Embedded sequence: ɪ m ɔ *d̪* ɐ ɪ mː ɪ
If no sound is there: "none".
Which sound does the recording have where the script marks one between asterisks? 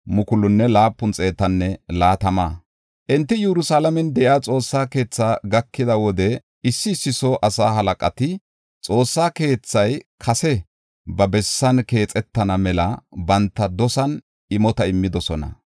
t̪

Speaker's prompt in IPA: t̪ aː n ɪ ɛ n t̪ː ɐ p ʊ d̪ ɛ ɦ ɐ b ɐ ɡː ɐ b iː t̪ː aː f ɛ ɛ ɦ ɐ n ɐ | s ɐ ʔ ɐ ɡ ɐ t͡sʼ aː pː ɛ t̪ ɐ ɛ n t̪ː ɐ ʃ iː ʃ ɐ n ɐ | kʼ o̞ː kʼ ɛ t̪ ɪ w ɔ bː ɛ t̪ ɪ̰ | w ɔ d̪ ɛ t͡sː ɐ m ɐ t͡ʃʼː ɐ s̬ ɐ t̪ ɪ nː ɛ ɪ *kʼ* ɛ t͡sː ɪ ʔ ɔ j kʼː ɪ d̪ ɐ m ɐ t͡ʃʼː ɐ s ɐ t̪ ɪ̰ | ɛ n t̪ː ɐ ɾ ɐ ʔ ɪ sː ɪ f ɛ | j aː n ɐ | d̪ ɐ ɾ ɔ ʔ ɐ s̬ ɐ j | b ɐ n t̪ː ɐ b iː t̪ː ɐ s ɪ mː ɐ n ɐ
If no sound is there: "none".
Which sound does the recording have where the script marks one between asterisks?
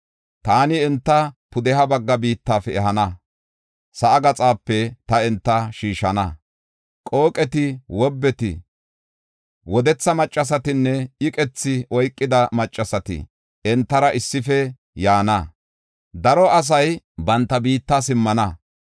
kʼ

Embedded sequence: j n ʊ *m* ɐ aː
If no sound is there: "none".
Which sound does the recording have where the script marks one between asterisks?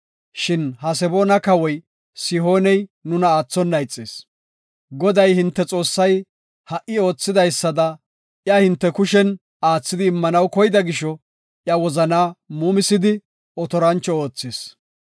n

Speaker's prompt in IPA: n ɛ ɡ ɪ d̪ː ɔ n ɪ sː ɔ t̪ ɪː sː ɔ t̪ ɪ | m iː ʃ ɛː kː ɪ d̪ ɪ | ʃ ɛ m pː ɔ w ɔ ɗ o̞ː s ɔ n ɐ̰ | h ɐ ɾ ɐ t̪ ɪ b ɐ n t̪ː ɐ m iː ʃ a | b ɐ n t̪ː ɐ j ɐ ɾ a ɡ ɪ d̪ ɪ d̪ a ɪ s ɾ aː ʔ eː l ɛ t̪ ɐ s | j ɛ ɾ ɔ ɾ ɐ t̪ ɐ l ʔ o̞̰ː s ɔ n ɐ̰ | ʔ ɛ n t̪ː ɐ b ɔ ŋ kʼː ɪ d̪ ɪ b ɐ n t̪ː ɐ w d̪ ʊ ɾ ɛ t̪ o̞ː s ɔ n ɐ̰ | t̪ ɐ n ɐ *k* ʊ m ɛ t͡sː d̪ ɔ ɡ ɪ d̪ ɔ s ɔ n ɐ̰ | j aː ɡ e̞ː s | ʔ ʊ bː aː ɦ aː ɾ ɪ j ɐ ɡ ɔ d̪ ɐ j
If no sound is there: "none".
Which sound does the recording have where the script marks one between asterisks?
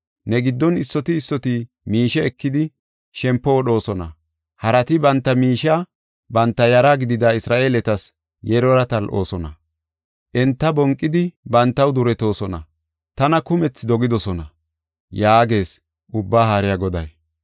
k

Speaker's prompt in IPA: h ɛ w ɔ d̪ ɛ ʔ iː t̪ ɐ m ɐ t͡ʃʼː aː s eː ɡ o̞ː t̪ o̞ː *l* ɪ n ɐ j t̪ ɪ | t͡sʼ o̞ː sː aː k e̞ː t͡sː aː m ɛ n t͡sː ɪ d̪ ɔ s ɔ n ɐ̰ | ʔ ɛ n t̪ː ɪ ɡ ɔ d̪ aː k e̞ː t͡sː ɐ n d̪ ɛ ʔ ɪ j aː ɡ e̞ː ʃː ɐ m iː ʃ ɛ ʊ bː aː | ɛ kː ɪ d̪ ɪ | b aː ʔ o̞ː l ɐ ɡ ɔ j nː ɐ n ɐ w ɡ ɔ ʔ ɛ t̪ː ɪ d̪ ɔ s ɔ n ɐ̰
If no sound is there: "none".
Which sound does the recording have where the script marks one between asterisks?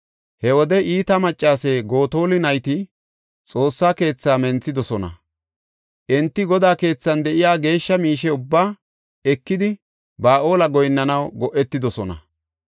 l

